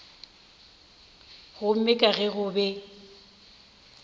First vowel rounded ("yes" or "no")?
yes